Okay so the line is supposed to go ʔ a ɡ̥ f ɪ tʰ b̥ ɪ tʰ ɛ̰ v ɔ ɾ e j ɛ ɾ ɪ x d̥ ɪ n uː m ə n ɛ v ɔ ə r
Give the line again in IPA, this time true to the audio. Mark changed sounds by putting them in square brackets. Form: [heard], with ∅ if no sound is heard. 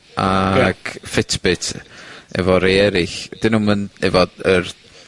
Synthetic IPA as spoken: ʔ a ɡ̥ f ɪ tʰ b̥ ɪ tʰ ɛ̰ v ɔ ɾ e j ɛ ɾ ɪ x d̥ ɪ n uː m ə n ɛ v ɔ ə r